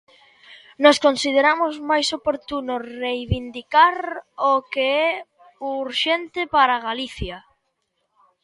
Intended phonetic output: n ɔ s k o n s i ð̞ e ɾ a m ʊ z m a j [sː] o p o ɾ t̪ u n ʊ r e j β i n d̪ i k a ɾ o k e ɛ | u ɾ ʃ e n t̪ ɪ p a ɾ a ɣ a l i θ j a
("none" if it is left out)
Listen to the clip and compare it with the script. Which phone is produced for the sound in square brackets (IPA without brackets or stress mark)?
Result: s